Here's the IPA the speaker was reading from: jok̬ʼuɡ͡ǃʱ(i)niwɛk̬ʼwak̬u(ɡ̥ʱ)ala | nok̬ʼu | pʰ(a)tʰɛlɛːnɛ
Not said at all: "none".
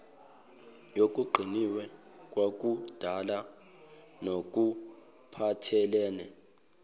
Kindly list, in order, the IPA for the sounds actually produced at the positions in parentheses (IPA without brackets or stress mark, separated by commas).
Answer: i, d̥ʱ, a